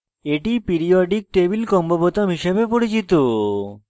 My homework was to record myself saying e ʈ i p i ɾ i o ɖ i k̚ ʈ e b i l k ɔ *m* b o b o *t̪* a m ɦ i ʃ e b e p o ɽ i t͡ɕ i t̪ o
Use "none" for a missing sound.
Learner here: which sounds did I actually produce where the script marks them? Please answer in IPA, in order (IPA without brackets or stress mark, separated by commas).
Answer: m, t̪